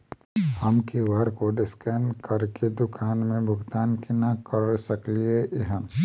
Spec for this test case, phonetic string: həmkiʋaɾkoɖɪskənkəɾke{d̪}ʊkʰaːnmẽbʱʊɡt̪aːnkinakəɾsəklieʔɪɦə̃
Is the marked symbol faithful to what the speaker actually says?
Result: yes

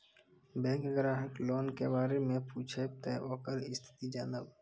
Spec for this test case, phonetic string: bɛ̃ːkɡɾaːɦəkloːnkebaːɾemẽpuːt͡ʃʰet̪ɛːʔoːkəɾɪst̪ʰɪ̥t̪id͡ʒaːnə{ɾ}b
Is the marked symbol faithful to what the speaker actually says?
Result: no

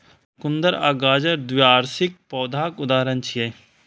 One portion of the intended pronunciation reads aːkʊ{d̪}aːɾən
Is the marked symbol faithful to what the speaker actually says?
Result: yes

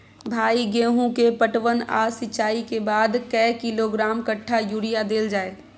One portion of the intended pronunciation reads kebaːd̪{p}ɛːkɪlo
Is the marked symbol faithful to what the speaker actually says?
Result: no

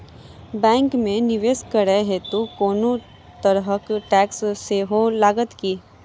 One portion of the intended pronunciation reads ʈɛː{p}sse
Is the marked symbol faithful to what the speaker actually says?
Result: no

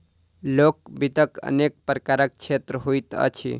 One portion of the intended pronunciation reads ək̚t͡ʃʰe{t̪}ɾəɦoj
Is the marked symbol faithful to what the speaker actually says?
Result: yes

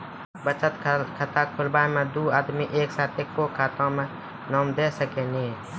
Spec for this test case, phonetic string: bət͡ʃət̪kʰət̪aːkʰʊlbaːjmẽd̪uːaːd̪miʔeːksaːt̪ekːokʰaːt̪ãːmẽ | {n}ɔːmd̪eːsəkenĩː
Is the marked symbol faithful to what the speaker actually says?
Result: yes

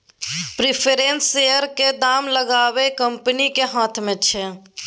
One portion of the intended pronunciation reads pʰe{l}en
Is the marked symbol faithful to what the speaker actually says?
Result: no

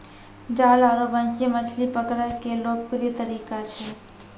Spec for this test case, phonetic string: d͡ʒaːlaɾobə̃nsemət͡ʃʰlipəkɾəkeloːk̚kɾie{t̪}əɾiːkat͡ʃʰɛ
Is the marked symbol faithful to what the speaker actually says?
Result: yes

